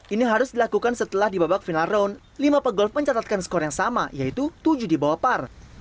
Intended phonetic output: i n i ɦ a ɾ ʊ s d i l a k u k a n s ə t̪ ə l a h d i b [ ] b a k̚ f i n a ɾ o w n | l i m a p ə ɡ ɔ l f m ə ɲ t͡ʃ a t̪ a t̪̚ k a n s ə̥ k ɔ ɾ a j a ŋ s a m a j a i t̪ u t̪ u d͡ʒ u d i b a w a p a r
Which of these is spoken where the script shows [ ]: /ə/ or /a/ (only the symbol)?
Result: a